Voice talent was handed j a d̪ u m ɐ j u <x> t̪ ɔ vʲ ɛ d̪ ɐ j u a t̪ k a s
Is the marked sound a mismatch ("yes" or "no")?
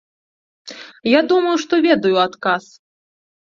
yes